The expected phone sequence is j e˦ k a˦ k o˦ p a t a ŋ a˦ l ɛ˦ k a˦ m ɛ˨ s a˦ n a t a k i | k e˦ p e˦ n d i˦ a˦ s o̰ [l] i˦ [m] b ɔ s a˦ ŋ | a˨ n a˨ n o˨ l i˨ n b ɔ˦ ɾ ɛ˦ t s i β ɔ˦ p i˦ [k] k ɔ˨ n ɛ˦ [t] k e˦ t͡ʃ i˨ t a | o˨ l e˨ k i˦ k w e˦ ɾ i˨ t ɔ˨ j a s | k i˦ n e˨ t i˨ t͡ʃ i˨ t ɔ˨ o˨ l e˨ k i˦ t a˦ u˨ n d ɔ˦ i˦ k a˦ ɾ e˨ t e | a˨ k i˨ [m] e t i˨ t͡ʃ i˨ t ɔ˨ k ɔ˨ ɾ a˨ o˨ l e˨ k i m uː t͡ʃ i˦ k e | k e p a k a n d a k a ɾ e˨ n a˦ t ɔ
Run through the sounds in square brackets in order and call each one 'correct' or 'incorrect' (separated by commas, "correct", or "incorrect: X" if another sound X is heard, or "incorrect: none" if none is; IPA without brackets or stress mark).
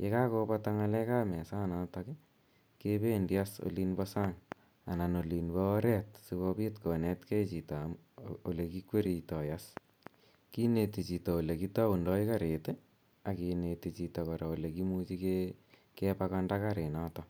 correct, incorrect: n, incorrect: t, correct, incorrect: n